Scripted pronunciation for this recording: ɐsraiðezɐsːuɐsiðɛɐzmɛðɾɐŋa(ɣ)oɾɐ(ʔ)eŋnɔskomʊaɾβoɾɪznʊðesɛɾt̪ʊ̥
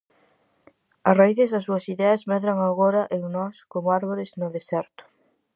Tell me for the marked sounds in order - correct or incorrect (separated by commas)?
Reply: correct, correct